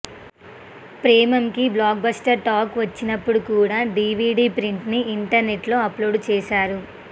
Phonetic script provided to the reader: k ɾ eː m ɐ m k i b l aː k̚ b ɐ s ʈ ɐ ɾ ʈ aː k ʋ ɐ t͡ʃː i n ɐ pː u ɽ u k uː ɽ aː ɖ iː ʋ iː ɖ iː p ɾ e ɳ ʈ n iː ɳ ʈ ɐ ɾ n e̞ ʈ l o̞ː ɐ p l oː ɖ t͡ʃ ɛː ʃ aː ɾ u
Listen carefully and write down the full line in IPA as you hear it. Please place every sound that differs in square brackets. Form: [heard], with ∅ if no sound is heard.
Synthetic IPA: [p] ɾ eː m ɐ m k i b l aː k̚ b ɐ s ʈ ɐ ɾ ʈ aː k ʋ ɐ t͡ʃː i n ɐ pː u ɽ u k uː ɽ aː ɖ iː ʋ iː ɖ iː p ɾ [i] ɳ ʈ n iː ɳ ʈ ɐ ɾ n e̞ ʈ l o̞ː ɐ p l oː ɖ t͡ʃ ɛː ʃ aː ɾ u